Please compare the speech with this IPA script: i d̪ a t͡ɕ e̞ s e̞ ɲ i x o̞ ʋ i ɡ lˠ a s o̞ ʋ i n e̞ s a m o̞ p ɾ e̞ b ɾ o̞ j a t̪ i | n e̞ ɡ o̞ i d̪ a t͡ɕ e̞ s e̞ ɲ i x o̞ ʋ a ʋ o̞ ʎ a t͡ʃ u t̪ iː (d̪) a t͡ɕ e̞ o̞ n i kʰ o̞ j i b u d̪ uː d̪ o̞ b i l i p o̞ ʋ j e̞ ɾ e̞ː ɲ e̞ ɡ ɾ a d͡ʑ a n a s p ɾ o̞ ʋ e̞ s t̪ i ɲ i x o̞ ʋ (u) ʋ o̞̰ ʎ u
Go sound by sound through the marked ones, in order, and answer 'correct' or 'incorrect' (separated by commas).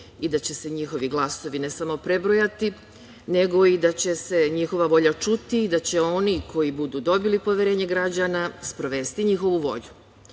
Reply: correct, correct